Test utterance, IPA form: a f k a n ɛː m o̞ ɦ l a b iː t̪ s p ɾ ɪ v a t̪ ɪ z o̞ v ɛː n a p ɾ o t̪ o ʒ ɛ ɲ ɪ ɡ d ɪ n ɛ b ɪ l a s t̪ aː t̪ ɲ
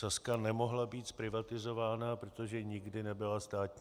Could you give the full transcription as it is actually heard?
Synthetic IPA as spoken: a s k a n ɛ m o̞ ɦ l a b iː t̪ s p ɾ ɪ v a t̪ ɪ z o̞ v aː n a p ɾ o t̪ o ʒ ɛ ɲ ɪ ɡ d ɪ n ɛ b ɪ l a s t̪ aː t̪ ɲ